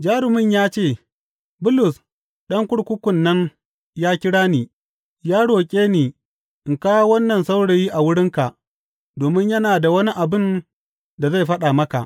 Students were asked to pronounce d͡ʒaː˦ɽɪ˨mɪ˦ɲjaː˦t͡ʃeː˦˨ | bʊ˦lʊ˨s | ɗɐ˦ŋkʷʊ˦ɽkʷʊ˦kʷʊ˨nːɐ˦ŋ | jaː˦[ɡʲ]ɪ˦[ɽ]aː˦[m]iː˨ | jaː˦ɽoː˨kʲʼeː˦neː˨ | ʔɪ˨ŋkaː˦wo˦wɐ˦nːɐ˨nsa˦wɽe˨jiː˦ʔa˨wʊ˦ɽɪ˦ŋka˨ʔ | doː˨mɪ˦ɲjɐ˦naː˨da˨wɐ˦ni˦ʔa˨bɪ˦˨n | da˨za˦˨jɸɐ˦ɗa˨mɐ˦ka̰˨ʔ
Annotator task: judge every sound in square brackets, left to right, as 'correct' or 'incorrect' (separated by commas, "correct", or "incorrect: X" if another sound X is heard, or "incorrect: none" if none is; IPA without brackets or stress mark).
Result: incorrect: kʲ, correct, incorrect: n